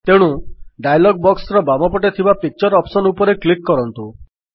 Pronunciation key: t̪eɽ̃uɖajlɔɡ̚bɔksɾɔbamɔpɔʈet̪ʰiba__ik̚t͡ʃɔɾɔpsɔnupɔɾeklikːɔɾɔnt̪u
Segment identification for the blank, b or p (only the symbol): p